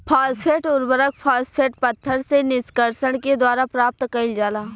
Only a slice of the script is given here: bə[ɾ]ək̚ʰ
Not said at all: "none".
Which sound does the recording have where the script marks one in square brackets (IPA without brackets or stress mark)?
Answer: ɾ